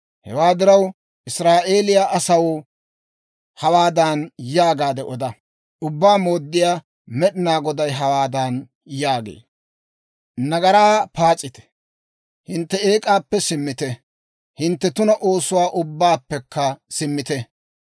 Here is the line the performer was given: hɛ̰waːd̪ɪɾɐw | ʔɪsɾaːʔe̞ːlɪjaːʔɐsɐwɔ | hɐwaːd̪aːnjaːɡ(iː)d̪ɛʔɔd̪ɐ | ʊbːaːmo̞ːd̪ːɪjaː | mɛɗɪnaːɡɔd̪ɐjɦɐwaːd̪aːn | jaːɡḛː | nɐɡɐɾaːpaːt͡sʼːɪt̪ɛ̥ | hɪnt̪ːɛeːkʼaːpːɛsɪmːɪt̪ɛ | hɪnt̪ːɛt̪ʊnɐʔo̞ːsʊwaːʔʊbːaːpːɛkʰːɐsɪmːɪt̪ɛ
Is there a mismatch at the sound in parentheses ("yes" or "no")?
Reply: yes